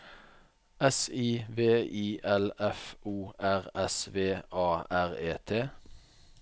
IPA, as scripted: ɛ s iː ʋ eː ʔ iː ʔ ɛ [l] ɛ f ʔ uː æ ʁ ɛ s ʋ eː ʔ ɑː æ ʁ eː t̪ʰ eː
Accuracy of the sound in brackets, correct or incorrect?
correct